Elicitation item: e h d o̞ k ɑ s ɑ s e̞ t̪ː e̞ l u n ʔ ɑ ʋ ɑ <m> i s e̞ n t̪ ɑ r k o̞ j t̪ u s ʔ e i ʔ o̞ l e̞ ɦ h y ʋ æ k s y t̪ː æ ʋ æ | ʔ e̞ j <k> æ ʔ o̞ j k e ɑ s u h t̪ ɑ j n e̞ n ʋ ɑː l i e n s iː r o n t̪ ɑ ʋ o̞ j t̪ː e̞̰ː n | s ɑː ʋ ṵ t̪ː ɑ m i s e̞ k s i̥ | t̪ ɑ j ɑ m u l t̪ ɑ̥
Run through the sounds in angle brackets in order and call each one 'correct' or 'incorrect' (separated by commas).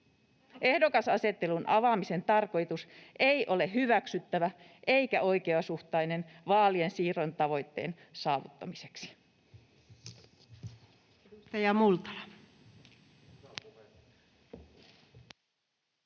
correct, correct